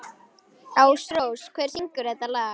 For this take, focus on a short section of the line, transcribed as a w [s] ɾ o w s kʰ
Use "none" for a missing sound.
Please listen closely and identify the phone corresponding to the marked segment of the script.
s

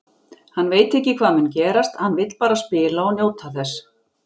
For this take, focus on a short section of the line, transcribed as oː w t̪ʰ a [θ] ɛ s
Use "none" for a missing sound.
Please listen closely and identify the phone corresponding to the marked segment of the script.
θ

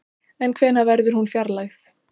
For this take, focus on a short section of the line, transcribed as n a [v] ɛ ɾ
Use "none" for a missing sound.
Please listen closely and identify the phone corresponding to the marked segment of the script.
v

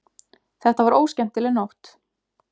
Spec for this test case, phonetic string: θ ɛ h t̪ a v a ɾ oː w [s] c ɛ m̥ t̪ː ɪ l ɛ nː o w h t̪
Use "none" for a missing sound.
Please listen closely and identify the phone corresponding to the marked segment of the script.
s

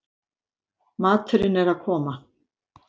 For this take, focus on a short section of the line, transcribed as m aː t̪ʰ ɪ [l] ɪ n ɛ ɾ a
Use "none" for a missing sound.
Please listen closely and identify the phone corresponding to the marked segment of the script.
ɾ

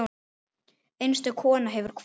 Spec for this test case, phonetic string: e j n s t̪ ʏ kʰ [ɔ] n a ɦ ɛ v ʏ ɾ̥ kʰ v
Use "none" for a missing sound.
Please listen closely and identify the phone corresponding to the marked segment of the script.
ɔː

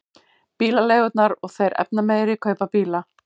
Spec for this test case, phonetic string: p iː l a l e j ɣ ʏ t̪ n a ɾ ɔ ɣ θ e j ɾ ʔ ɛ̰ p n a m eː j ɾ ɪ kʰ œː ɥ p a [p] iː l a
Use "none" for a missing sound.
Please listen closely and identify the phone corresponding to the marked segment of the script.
p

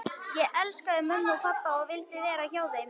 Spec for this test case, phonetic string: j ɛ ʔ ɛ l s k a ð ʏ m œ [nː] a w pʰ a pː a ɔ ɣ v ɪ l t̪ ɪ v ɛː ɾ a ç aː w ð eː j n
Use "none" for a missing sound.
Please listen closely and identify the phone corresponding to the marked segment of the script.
nː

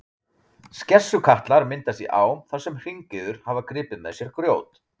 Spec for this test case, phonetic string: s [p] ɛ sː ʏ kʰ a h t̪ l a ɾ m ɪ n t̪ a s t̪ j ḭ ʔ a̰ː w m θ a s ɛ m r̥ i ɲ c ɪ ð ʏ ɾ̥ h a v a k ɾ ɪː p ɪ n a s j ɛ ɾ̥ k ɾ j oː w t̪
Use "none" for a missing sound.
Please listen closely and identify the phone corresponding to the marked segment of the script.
c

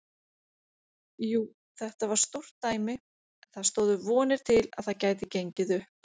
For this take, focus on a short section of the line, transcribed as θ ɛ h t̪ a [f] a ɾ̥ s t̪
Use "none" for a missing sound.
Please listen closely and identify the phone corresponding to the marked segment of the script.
v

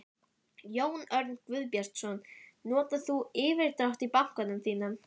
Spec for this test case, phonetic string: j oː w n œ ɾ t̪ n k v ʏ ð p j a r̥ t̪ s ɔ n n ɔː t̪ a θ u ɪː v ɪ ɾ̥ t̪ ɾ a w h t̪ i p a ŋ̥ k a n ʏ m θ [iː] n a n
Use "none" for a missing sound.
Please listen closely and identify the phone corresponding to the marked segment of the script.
iː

